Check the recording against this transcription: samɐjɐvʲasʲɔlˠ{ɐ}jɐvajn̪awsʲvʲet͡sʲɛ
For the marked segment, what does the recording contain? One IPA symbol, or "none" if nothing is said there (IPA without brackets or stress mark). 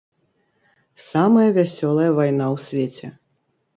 ɐ